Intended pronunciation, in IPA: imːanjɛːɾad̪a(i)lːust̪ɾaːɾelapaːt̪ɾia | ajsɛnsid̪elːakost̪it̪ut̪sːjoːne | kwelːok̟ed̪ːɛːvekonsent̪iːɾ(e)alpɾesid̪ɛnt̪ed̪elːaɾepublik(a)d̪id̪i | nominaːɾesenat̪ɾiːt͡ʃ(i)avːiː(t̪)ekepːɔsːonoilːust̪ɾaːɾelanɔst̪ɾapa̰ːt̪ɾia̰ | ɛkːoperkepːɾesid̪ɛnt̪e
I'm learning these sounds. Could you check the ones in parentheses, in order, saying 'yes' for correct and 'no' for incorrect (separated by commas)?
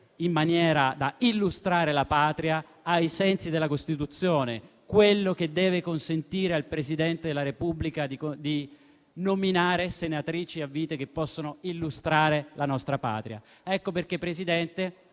yes, yes, yes, yes, yes